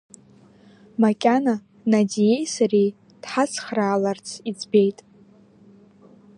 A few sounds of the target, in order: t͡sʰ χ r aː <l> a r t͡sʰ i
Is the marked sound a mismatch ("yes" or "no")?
no